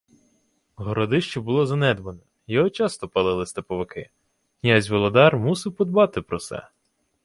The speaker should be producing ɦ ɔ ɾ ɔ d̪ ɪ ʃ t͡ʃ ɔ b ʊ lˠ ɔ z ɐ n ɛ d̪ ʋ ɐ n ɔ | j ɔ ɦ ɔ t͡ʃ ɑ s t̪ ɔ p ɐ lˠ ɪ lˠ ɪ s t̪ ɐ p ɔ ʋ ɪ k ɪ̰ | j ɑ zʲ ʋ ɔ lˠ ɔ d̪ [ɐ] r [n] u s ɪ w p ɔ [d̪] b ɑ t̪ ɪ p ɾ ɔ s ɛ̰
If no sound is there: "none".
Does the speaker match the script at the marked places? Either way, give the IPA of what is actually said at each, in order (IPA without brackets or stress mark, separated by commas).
ɑ, m, d̪